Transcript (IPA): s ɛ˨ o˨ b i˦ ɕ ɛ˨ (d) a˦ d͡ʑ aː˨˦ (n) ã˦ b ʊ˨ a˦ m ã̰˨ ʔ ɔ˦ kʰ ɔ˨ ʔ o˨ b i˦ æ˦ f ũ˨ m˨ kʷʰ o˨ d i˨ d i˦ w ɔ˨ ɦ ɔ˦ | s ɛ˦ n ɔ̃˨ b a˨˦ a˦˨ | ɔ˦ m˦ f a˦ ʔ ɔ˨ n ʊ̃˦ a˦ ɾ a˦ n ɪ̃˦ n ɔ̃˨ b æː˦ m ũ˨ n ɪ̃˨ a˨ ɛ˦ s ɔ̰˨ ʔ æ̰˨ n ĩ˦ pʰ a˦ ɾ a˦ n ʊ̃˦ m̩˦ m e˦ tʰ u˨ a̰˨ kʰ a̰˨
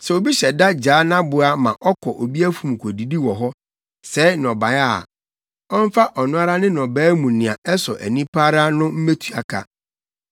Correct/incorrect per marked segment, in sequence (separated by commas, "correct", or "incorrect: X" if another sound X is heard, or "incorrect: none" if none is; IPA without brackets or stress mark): correct, correct